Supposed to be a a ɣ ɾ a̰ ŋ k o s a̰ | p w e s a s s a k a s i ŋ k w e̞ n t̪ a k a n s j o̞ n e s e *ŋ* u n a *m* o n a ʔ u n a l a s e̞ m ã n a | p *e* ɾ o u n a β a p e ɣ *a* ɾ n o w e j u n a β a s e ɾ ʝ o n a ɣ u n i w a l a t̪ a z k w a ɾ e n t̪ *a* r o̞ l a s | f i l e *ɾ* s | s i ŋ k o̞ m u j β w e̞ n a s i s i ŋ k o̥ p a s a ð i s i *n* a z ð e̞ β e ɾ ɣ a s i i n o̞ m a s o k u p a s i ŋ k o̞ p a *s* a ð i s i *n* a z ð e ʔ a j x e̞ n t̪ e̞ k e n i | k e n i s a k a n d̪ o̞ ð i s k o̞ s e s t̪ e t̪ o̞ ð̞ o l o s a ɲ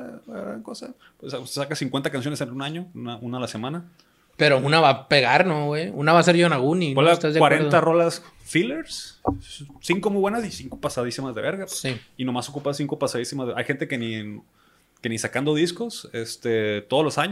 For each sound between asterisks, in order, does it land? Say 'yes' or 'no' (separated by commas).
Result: no, no, yes, yes, yes, yes, no, yes, no